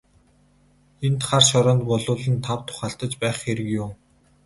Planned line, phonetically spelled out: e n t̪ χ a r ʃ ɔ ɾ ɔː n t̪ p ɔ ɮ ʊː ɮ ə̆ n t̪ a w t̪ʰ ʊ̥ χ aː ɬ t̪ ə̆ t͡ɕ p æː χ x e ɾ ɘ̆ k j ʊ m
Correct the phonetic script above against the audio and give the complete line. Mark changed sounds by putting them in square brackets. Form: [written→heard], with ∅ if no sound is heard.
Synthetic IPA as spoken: e n t̪ χ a r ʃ ɔ ɾ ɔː n t̪ p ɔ ɮ ʊː ɮ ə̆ n [t̪→t̪ʰ] a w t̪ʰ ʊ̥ χ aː ɬ t̪ ə̆ t͡ɕ p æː χ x e ɾ ɘ̆ k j ʊ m